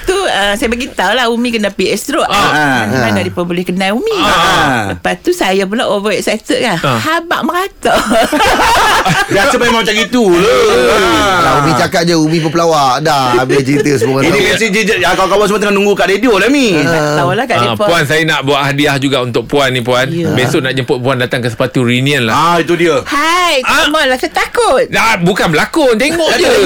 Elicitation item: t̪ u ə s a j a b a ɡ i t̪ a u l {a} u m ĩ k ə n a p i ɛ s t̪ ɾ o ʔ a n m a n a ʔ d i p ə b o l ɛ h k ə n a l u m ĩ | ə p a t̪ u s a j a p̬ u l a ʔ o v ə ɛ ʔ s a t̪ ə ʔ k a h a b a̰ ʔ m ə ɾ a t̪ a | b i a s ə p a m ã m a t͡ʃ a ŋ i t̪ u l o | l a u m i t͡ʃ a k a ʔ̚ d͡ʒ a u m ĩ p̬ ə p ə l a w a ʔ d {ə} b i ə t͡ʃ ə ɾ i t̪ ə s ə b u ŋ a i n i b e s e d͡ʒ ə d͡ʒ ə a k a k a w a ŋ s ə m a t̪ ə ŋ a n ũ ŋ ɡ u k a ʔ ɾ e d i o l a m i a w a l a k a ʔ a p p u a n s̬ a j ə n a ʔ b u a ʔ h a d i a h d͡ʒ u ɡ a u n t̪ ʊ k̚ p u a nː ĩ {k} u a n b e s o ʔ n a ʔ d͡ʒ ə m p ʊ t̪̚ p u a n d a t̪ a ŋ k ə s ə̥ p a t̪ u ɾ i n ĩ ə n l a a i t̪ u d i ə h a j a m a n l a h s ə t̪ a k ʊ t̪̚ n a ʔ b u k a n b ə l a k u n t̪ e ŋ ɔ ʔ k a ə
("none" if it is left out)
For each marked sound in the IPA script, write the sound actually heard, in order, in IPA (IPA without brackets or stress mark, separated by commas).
a, a, p